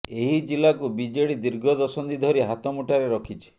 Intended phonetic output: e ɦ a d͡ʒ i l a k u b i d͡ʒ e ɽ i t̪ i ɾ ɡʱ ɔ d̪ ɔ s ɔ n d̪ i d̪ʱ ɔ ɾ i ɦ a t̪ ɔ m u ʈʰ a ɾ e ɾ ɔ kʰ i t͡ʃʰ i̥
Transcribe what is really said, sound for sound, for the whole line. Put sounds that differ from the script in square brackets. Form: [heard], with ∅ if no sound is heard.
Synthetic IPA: e ɦ [i] d͡ʒ i l a k u b i d͡ʒ e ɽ i [d̪] i ɾ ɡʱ ɔ d̪ ɔ s ɔ n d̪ i d̪ʱ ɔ ɾ i ɦ a t̪ ɔ m u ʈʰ a ɾ e ɾ ɔ kʰ i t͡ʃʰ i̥